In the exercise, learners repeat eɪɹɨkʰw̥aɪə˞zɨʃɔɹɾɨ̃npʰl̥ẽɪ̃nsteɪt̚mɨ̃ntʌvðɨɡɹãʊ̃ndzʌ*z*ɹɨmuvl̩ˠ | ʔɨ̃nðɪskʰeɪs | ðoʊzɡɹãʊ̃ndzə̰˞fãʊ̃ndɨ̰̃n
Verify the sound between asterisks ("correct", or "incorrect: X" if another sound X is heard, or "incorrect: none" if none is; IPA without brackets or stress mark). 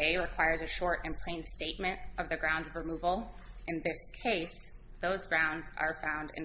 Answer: incorrect: v